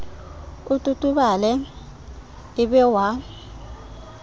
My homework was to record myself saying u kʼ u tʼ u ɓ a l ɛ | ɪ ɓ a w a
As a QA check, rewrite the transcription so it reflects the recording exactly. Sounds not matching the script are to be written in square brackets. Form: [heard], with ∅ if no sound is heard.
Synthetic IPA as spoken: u [tʼ] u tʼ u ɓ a l ɛ | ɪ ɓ [ɛ] w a